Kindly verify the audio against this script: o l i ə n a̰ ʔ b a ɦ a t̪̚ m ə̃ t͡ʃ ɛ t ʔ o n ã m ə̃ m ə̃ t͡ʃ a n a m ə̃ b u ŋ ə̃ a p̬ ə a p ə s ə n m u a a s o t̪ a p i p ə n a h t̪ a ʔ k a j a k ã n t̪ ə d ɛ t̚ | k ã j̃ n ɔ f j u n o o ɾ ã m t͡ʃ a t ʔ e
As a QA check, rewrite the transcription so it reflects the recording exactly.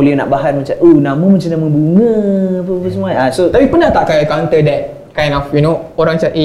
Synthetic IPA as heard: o l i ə n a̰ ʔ b a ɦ a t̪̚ m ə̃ t͡ʃ a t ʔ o n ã m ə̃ m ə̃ t͡ʃ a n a m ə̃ b u ŋ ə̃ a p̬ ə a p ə s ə m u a a s o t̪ a p i p ə n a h t̪ a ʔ k a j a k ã n t̪ ə d ɛ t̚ | k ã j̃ n ɔ f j u n o o ɾ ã ŋ t͡ʃ a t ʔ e